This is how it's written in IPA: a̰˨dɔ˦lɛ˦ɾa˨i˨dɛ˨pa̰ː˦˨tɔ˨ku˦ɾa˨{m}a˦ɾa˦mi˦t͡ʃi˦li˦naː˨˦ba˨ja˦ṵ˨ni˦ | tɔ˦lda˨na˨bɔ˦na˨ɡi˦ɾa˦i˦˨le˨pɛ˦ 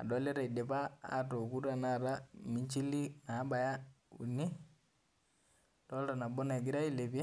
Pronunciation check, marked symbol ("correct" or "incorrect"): incorrect